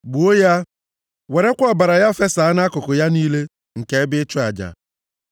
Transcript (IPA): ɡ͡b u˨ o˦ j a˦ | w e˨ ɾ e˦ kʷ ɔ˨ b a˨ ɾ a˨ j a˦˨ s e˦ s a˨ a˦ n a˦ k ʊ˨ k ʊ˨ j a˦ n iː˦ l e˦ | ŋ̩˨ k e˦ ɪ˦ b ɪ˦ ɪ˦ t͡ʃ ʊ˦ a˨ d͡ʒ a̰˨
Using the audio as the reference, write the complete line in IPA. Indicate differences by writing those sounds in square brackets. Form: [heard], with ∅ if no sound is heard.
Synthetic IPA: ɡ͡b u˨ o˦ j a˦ | w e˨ ɾ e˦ kʷ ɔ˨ b a˨ ɾ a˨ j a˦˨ [f] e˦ s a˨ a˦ n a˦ k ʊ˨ k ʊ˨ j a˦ n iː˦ l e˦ | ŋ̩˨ k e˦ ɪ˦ b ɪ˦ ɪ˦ t͡ʃ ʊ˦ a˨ d͡ʒ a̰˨